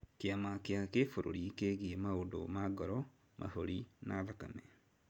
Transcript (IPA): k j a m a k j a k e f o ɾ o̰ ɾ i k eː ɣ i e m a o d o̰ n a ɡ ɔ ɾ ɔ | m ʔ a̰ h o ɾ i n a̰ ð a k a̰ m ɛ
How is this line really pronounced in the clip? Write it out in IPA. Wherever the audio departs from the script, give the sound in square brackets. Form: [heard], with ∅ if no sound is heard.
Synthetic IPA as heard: k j a m a k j a k e f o ɾ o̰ ɾ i k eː ɣ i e m a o d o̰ [m] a ɡ ɔ ɾ ɔ | m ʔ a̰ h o ɾ i n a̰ ð a k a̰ m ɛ